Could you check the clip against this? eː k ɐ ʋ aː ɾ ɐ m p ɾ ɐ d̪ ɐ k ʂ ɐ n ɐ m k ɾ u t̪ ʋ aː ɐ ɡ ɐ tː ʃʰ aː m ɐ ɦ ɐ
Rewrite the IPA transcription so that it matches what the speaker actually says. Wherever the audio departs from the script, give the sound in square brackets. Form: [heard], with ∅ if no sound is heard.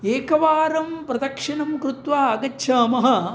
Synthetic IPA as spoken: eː k ɐ ʋ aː ɾ ɐ m p ɾ ɐ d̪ ɐ k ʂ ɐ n ɐ m k ɾ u t̪ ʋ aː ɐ ɡ ɐ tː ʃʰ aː m ɐ ɦ ɐ